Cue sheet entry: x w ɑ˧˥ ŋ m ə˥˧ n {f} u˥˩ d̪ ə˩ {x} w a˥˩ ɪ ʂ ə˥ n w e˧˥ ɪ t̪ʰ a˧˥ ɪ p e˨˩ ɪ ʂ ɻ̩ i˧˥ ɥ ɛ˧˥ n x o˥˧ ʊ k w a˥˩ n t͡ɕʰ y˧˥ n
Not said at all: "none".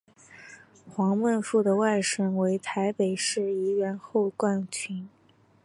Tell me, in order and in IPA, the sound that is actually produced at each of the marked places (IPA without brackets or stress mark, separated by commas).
f, none